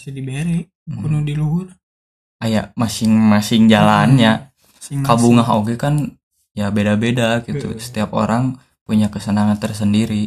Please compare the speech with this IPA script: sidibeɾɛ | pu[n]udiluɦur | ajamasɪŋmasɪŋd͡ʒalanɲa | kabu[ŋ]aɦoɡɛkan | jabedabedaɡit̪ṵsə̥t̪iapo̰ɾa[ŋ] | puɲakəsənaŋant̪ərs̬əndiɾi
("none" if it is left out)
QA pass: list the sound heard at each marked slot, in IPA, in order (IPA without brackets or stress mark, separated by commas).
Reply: n, ŋ, ŋ